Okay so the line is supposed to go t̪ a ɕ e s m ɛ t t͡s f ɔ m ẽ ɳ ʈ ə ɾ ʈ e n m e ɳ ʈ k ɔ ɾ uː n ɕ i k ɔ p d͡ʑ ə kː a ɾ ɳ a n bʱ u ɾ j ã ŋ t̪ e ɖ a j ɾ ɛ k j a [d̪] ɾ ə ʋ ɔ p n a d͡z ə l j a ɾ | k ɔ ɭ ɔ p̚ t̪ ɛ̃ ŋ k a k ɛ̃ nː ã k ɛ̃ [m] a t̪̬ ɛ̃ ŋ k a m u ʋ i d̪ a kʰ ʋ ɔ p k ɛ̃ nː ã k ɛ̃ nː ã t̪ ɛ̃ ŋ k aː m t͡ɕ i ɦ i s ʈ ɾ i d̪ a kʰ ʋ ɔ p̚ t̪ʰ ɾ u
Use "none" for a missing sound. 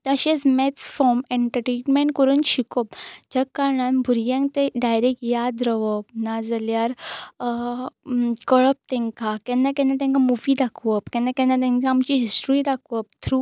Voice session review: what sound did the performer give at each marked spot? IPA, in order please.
d̪, n

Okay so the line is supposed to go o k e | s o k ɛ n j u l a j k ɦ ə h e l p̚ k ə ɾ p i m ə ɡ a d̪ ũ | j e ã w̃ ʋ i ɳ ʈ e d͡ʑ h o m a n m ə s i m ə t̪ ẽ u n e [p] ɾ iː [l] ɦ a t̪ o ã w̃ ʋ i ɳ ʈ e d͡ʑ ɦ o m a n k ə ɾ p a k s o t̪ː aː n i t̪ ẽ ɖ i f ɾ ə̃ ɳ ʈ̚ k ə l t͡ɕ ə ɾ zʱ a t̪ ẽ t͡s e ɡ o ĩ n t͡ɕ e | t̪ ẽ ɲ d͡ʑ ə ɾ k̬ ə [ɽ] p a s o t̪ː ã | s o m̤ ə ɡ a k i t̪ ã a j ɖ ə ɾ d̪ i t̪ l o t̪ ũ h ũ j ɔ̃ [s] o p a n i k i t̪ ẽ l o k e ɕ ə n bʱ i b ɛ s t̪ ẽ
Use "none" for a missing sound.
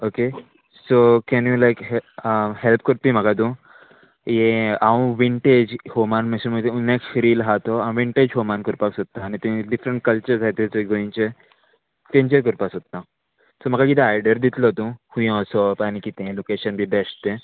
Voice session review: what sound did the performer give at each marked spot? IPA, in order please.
k, l, ɾ, s

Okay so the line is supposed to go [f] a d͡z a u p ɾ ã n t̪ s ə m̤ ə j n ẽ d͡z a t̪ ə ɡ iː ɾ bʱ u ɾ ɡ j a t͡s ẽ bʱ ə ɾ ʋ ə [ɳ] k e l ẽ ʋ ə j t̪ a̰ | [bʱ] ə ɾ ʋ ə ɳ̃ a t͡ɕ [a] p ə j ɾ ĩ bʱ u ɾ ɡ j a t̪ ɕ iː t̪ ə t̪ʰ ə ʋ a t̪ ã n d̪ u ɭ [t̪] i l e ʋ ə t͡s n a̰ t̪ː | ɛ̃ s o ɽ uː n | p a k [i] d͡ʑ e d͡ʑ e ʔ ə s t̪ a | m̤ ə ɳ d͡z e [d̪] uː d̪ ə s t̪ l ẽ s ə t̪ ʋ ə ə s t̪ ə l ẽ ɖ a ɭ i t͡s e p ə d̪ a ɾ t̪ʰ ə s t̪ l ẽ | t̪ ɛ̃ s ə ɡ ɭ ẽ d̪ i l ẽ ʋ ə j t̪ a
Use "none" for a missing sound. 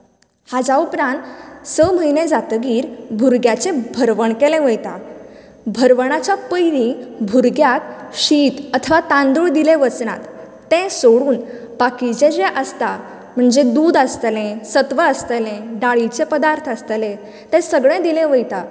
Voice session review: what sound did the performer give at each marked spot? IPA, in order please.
h, ɳ, bʱ, a, d̪, i, d̪

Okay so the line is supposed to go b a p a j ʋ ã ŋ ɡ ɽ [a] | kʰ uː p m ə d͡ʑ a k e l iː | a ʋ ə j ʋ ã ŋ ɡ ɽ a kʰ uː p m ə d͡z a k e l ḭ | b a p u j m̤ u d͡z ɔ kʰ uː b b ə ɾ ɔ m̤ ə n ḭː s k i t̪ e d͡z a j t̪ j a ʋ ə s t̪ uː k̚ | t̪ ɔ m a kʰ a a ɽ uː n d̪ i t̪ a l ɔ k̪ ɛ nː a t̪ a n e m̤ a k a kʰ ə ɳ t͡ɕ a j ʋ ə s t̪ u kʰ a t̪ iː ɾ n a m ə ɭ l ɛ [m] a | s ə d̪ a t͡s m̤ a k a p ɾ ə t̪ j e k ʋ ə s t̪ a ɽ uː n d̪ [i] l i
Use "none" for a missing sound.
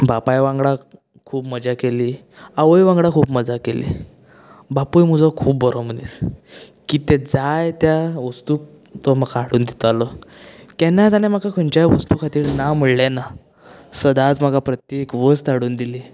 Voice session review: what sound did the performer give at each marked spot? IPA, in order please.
a, n, i

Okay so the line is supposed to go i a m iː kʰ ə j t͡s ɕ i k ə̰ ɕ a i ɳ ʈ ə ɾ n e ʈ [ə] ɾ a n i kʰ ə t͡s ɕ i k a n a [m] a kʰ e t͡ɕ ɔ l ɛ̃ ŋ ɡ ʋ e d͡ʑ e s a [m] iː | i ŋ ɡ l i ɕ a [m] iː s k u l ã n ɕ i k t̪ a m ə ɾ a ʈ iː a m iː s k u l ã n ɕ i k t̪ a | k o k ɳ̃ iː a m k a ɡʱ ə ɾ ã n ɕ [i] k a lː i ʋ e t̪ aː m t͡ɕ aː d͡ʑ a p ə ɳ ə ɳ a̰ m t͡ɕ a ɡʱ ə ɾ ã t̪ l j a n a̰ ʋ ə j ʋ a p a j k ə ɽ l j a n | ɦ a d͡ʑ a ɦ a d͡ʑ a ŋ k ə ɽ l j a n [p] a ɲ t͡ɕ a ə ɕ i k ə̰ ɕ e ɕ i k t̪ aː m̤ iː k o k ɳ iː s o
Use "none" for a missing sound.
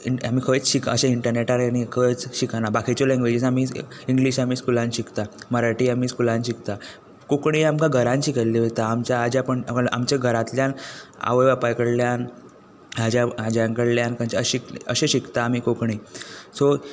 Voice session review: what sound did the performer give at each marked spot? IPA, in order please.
a, b, m, m, i, k

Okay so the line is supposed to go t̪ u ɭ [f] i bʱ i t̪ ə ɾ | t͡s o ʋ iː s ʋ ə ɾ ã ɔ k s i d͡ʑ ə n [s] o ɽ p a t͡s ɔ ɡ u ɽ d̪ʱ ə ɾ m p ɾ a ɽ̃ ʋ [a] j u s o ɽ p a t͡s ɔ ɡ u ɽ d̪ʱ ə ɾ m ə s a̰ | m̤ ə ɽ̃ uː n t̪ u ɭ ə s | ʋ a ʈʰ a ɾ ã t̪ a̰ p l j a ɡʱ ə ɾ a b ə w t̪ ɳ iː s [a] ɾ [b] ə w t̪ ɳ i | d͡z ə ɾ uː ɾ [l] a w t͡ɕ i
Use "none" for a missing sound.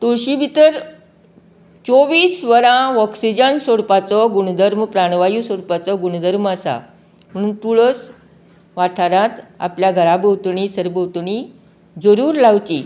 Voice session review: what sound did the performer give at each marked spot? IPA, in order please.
ɕ, s, a, ə, b, l

